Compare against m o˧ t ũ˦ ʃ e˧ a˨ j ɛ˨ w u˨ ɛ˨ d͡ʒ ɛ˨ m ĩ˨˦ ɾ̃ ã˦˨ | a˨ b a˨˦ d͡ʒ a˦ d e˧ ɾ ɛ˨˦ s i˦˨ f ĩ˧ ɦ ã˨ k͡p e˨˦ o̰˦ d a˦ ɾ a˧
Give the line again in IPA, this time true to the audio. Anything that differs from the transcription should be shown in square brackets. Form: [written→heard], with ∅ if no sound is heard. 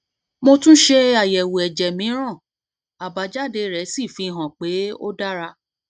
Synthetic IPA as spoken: m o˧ t ũ˦ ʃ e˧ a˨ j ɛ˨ w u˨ ɛ˨ d͡ʒ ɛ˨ m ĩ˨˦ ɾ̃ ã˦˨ | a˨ b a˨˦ d͡ʒ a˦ d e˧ ɾ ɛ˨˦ s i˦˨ f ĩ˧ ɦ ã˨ k͡p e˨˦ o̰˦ d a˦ ɾ a˧